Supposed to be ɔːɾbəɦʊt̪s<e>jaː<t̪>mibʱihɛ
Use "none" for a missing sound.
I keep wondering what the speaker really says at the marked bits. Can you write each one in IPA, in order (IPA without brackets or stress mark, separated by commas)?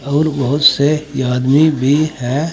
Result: e, d̪